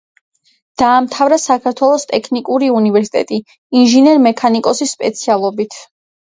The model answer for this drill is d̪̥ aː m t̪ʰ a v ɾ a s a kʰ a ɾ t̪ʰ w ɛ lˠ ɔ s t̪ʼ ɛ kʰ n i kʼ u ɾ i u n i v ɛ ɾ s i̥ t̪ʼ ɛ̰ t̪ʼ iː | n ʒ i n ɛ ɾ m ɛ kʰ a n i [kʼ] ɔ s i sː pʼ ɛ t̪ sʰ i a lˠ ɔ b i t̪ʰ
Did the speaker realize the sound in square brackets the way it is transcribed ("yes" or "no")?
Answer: yes